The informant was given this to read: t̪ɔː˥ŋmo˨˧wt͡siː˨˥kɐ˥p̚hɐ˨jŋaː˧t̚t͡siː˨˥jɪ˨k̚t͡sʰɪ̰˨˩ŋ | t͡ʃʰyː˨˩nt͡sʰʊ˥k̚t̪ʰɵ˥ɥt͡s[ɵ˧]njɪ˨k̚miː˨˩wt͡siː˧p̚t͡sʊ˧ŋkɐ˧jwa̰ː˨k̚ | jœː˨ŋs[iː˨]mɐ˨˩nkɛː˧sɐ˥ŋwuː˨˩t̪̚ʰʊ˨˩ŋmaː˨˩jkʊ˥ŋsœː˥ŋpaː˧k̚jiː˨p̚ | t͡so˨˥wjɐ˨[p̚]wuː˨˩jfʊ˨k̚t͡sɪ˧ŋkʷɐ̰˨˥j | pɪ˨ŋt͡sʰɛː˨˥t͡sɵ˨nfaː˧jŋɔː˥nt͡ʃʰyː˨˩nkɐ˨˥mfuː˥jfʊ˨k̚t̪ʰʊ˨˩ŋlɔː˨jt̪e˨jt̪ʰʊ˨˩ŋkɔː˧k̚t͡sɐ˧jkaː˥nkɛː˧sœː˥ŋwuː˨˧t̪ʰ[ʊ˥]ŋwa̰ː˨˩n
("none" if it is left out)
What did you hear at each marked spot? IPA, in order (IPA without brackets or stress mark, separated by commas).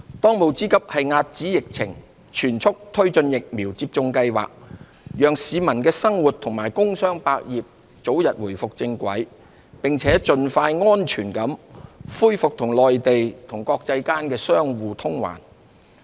ɵ˧, iː˨, t̚, ʊ˥